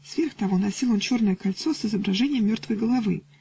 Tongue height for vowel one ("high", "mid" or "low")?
mid